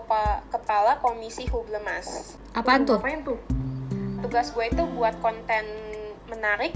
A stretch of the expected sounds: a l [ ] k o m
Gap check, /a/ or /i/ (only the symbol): a